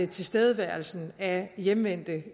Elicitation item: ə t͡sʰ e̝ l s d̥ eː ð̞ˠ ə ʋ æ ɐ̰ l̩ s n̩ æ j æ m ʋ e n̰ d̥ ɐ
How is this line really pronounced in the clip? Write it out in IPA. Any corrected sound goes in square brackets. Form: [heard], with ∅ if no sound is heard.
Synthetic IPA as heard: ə t͡sʰ e̝ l s d̥ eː ð̞ˠ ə ʋ æ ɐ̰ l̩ s n̩ æ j [e] m ʋ e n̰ d̥ [ə]